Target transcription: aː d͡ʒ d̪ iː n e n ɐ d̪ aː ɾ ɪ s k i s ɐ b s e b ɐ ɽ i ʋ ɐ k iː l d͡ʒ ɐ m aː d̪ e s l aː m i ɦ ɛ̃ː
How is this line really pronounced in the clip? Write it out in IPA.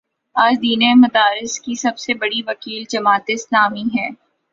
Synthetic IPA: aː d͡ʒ d̪ iː n e m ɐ d̪ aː ɾ ɪ s k i s ɐ b s e b ɐ ɽ i ʋ ɐ k iː l d͡ʒ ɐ m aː t̪ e s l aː m i ɦ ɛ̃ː